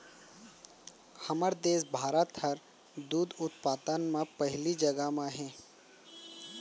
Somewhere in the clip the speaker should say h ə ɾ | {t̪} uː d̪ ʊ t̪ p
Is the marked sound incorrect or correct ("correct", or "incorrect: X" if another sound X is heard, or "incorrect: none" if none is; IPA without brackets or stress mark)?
incorrect: d̪